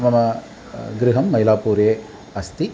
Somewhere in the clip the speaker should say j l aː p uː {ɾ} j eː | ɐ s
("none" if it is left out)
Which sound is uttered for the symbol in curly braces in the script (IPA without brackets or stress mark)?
ɾ